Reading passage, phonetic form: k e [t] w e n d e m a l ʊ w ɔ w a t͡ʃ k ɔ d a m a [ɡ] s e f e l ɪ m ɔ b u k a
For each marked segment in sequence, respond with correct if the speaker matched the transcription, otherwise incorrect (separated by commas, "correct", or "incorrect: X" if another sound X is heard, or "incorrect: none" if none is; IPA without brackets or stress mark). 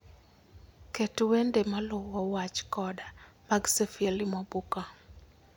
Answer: correct, correct